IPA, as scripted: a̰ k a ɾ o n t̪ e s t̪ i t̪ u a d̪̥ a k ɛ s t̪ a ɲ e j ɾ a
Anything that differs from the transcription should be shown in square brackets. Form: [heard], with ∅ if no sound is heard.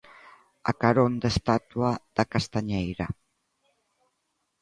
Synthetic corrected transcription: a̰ k a ɾ o n [d̪] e s t̪ [a] t̪ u a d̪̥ a k [a] s t̪ a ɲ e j ɾ a